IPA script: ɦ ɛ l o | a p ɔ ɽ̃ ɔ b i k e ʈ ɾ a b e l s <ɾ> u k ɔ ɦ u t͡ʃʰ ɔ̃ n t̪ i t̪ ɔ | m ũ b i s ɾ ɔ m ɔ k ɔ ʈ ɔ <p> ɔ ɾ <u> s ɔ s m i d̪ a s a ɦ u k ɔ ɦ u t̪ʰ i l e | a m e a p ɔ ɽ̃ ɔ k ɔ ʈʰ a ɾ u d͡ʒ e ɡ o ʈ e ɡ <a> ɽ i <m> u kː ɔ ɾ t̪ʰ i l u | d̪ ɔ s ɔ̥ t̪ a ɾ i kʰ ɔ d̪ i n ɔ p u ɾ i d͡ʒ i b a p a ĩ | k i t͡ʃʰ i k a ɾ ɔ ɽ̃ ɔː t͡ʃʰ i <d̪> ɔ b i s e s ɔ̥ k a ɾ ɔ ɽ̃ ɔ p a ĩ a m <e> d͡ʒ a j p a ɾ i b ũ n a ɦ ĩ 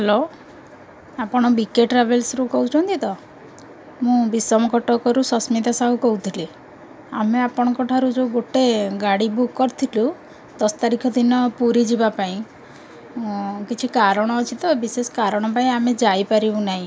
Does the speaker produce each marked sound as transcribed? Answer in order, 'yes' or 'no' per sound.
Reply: yes, no, yes, yes, no, no, yes

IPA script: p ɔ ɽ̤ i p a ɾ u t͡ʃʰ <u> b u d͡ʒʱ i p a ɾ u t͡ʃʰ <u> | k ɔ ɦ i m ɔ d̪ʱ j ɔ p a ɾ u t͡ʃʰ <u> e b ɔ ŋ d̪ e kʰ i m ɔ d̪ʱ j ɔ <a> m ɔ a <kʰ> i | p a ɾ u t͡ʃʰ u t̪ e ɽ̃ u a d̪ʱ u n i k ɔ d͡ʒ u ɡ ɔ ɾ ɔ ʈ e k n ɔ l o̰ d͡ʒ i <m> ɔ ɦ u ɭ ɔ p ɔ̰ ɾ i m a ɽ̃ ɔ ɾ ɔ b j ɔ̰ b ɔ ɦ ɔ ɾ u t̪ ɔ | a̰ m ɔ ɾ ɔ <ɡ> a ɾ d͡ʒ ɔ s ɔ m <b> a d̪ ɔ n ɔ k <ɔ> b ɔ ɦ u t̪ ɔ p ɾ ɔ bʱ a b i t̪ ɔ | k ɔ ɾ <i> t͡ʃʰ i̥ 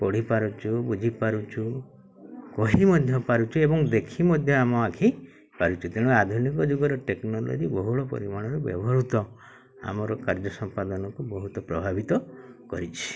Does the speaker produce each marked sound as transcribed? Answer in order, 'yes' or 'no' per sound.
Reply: yes, yes, yes, yes, yes, no, no, no, no, yes

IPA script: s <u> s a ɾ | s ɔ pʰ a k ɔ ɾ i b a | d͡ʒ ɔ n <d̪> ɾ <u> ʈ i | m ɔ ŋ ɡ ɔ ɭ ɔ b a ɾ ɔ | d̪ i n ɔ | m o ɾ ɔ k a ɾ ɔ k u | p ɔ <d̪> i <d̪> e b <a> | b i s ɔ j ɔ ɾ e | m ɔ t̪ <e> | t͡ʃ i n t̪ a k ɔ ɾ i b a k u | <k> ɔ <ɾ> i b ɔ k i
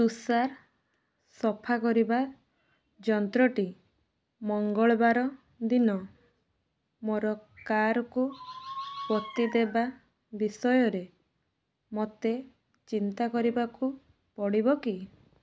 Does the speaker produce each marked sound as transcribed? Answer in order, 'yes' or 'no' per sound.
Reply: yes, no, no, no, yes, yes, yes, no, no

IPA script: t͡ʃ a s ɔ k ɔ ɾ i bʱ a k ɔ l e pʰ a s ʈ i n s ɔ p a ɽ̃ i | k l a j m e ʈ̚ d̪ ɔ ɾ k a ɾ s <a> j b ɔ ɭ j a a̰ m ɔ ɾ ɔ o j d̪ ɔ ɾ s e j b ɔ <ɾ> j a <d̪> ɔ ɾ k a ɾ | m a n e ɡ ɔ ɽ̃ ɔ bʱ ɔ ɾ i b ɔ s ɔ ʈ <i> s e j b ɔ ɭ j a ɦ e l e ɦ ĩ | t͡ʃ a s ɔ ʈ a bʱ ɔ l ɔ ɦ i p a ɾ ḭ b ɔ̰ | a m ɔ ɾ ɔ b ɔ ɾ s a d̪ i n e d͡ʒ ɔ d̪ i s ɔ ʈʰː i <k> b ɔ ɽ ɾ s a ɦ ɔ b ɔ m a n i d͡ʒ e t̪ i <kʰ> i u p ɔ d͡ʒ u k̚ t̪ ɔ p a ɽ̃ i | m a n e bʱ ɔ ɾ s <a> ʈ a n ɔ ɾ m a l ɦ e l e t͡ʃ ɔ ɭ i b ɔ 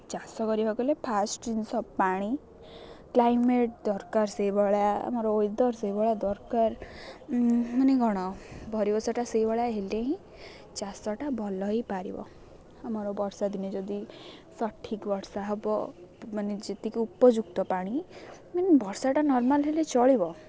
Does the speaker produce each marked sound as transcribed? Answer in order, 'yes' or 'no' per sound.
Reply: no, no, yes, no, yes, no, yes

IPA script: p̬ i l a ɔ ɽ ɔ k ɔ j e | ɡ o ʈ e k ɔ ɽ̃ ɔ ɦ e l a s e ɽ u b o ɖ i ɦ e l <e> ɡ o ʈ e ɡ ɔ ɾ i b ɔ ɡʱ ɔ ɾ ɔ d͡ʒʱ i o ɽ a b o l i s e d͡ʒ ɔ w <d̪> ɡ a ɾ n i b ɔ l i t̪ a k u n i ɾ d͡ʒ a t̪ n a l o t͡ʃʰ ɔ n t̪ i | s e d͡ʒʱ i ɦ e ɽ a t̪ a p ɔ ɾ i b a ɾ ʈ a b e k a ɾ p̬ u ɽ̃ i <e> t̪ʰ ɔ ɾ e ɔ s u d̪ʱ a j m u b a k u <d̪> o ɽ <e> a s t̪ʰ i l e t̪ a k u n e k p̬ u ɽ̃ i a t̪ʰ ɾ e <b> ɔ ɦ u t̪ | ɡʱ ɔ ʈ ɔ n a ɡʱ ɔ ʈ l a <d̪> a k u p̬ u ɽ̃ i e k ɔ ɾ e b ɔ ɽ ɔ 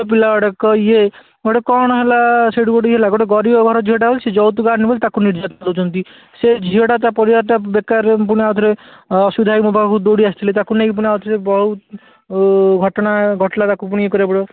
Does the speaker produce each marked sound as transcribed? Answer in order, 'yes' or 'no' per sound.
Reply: no, no, no, yes, no, yes, no

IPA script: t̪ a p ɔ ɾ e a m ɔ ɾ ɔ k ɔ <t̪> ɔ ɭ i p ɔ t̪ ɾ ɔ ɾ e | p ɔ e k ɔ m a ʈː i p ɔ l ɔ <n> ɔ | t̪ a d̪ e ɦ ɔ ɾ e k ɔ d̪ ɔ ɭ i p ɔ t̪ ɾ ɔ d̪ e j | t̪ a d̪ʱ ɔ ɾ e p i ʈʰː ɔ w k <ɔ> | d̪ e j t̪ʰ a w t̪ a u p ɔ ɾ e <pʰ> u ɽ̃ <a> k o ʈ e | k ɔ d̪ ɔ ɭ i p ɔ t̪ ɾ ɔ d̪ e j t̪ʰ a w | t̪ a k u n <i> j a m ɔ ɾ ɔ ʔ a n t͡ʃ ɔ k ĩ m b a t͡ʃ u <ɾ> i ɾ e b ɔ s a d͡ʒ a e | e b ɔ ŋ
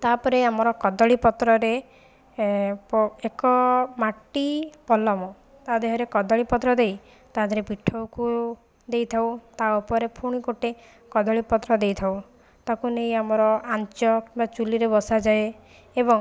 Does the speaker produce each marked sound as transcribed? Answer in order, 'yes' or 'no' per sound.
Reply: no, no, no, yes, no, no, no

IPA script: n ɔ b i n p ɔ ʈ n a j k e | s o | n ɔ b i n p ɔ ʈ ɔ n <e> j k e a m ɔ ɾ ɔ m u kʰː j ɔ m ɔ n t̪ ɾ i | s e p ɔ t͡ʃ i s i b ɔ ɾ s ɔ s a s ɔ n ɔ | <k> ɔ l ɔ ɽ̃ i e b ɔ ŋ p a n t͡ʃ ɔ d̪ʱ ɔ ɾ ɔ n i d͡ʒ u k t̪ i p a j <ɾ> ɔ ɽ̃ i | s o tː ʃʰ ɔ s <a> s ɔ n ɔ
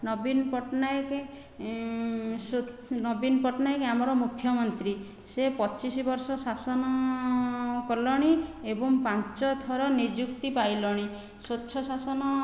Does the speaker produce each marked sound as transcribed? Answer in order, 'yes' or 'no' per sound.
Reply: no, yes, no, yes

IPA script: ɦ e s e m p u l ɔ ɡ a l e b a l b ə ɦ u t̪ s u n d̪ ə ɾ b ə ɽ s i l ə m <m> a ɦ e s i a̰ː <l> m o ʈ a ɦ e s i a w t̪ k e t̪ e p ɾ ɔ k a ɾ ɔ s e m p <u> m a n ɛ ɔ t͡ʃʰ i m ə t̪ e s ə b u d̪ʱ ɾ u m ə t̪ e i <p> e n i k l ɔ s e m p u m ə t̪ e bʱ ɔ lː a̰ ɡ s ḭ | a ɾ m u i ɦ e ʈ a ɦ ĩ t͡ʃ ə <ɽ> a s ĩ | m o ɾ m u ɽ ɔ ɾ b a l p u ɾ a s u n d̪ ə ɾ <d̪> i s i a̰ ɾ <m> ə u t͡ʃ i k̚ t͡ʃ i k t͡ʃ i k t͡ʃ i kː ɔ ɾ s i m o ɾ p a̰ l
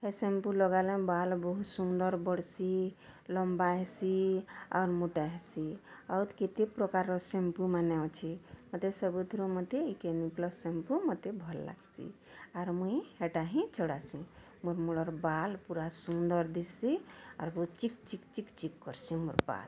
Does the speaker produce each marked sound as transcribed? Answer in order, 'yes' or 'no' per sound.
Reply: no, no, yes, no, yes, yes, no

